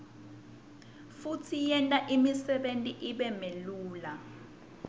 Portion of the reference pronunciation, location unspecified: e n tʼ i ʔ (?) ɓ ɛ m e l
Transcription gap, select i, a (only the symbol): i